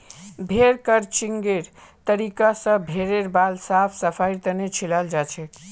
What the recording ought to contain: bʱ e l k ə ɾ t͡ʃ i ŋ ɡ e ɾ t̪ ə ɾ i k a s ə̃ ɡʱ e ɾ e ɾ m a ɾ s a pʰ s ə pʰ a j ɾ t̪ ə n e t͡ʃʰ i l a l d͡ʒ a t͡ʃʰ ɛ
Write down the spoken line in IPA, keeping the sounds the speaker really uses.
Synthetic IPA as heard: bʱ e ɾ k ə ɾ t͡ʃ i ŋ ɡ e ɾ t̪ ə ɾ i k a s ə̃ bʱ e ɾ e ɾ b a l s a pʰ s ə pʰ a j ɾ t̪ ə n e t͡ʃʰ i l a l d͡ʒ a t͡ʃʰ ɛ